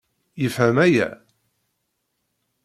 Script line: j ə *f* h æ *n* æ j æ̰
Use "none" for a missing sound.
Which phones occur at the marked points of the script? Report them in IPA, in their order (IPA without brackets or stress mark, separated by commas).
f, m